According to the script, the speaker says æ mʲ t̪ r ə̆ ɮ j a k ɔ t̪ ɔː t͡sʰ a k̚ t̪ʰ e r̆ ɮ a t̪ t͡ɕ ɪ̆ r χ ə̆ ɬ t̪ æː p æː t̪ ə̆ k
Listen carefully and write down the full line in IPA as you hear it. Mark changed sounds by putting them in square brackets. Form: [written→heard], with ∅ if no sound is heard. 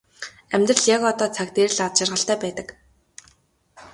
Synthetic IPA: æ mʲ t̪ r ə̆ ɮ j a k ɔ t̪ ɔː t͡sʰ a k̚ [t̪ʰ→t̪] e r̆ ɮ a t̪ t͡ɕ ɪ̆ r [χ→ʁ] ə̆ ɬ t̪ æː p æː t̪ ə̆ k